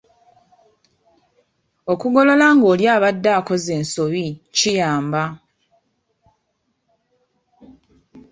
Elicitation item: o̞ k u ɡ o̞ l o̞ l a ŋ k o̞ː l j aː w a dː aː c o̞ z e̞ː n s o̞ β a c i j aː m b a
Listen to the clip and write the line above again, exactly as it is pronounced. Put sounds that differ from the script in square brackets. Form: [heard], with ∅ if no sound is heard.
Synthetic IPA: o̞ k u ɡ o̞ l o̞ l a ŋ [ɡ] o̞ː l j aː [β] a dː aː [k] o̞ z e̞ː n s o̞ β [i] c i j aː m b a